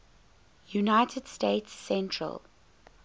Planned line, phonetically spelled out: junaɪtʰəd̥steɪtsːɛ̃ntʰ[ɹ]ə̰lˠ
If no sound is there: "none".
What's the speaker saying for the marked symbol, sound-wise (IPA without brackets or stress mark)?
ɹ